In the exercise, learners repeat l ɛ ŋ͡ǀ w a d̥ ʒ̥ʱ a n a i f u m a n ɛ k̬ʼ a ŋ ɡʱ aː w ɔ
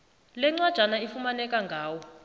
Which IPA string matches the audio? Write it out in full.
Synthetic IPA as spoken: l ɛ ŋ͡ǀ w a d̥ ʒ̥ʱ a n a i f u m a n ɛ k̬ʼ a ŋ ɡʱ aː w ɔ